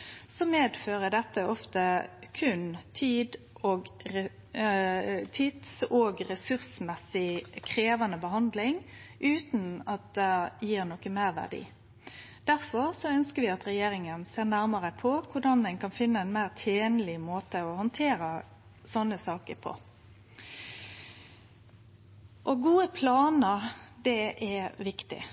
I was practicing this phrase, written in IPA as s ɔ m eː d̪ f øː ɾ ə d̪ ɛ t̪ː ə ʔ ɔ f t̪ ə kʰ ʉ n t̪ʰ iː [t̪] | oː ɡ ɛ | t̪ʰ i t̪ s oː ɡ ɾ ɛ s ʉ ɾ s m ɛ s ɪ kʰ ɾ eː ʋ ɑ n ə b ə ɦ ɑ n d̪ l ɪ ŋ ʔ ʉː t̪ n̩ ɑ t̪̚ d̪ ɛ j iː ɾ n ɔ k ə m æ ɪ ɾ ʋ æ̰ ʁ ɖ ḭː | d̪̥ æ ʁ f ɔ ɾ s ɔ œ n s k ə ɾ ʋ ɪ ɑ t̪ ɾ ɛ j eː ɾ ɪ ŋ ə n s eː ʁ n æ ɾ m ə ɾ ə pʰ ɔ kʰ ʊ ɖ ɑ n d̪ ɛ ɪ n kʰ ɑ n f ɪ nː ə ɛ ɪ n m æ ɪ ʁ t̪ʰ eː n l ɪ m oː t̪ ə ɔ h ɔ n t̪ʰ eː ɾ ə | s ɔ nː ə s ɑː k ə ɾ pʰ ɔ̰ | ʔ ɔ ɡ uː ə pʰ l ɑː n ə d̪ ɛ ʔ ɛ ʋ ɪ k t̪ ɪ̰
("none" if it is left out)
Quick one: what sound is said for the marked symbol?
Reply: d̪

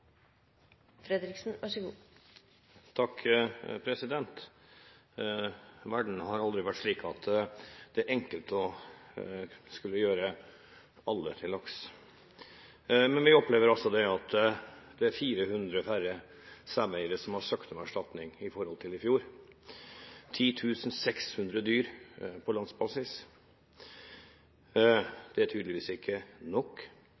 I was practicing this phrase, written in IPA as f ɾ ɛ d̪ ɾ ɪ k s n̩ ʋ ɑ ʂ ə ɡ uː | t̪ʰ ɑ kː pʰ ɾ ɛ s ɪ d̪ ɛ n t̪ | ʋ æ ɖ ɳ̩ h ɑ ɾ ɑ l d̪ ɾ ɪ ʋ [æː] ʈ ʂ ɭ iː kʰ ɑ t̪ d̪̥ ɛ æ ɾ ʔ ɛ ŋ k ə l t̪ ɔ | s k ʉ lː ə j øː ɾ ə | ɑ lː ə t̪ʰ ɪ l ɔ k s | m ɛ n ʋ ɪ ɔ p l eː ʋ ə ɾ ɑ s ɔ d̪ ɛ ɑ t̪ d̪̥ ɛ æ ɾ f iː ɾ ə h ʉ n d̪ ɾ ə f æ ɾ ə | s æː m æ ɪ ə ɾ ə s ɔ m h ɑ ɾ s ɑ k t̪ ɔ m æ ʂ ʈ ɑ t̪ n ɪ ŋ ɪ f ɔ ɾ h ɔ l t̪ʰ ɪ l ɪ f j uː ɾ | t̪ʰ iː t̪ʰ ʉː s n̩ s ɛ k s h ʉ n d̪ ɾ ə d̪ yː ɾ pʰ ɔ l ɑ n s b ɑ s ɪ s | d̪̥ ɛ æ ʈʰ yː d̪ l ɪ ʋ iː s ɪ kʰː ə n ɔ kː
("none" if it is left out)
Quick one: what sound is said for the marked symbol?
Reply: æ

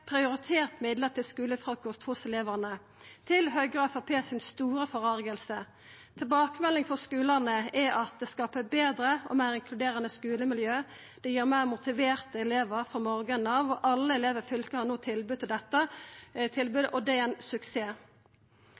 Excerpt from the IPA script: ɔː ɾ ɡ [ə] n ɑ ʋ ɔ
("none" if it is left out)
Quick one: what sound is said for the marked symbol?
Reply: ə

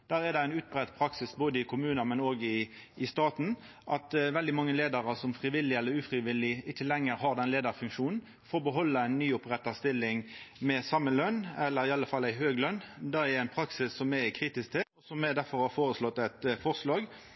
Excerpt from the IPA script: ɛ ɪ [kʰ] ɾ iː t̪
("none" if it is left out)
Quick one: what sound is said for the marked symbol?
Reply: kʰ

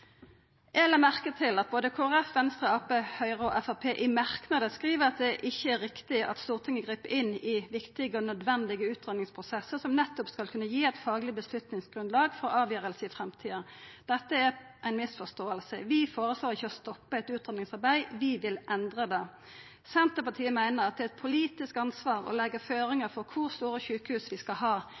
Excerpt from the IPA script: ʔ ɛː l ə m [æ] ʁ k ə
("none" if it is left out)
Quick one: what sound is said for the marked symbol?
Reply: æ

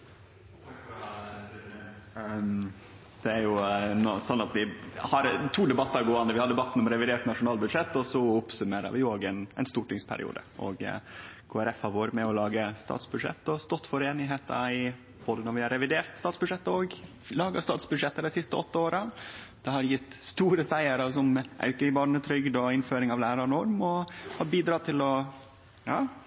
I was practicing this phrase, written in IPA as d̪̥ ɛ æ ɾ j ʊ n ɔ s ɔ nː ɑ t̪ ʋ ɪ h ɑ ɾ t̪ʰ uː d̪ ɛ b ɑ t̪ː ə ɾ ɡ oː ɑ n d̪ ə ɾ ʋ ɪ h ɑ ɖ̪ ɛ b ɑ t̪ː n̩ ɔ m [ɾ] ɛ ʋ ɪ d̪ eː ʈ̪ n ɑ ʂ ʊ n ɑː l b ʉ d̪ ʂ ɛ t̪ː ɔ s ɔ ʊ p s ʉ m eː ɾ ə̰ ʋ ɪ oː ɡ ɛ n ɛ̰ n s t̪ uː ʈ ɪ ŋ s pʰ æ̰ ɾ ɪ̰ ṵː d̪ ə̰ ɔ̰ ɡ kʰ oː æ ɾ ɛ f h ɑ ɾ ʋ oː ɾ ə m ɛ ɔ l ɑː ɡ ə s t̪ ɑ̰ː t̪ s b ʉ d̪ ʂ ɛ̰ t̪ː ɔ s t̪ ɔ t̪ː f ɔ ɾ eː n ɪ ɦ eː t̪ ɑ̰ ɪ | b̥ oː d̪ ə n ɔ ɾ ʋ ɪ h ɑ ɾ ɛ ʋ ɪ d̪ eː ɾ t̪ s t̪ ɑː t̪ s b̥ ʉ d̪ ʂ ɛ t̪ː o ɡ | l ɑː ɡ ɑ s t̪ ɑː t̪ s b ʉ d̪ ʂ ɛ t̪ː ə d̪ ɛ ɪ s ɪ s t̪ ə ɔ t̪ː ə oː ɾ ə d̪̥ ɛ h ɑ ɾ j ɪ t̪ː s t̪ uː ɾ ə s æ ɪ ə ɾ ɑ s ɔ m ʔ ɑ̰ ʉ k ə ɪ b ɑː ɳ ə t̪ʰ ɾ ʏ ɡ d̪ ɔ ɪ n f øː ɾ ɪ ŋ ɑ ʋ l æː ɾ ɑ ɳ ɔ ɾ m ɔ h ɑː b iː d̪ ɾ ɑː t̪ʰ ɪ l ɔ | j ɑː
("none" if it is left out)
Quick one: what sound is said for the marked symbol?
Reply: ɾ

